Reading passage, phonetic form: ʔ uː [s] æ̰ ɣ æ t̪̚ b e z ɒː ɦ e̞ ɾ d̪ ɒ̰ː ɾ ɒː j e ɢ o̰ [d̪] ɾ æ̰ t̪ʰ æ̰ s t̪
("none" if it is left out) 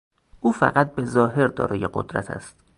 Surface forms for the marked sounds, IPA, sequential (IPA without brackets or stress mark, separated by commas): f, d̪